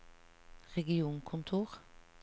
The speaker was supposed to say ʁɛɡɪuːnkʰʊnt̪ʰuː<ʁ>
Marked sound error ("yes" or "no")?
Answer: no